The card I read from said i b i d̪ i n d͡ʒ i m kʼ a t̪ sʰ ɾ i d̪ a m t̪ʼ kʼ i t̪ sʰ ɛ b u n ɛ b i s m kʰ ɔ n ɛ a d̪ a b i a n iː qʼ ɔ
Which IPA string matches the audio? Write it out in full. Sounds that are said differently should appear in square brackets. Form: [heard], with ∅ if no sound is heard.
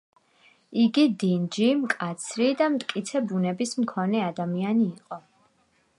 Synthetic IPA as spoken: i [ɡ] i d̪ i n d͡ʒ i m kʼ a t̪ sʰ ɾ i d̪ a m t̪ʼ kʼ i t̪ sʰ ɛ b u n ɛ b i s m kʰ ɔ n ɛ a d̪ a [m] i a n iː qʼ ɔ